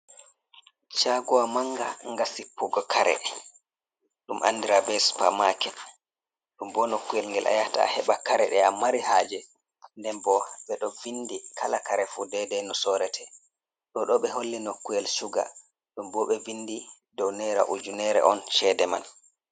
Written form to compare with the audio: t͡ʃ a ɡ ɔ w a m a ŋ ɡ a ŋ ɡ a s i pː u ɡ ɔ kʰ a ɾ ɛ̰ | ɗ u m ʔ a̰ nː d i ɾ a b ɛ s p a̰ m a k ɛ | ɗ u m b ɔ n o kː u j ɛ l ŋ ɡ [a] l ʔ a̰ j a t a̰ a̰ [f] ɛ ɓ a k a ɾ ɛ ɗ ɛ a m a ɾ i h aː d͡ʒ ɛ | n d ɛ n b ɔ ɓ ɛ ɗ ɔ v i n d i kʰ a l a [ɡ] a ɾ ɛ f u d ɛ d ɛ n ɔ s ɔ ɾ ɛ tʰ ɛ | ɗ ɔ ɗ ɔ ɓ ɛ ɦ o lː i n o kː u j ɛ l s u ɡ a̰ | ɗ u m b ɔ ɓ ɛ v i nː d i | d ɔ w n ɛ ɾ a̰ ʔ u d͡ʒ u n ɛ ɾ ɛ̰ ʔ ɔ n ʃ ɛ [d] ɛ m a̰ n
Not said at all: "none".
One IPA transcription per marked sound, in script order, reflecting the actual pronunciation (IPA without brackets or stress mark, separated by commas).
ɛ, h, k, d